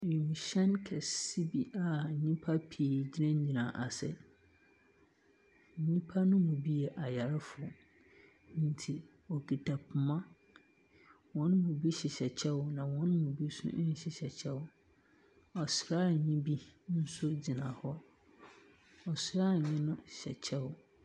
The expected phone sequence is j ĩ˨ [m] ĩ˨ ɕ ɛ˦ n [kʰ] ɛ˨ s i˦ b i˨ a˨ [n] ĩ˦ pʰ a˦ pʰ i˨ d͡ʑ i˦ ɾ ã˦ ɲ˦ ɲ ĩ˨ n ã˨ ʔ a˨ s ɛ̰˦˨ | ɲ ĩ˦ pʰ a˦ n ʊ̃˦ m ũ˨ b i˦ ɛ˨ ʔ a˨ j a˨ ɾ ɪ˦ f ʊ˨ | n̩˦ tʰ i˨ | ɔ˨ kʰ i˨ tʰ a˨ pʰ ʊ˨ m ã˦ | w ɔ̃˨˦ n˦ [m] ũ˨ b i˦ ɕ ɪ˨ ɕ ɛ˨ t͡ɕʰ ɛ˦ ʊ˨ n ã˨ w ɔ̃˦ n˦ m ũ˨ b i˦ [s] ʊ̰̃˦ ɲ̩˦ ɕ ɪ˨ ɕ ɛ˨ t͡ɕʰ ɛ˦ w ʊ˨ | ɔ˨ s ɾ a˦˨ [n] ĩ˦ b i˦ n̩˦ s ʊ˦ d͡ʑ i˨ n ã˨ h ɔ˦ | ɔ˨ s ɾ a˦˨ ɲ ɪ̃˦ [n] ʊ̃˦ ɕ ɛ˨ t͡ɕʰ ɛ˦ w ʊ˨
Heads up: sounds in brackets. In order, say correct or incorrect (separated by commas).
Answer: correct, correct, incorrect, correct, correct, incorrect, correct